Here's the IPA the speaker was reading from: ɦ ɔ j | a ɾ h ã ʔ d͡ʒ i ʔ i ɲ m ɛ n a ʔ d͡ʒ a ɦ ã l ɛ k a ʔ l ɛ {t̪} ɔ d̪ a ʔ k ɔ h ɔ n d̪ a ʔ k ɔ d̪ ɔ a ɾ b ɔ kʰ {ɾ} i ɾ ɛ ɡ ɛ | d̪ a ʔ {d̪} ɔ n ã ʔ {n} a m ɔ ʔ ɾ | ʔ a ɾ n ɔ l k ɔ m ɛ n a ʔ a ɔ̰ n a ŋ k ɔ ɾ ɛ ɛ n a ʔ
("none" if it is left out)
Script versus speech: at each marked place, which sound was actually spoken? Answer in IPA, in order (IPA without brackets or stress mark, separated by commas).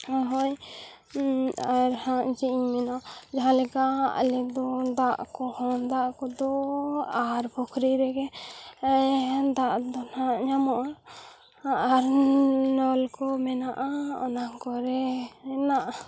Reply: d̪, ɾ, d̪, ɲ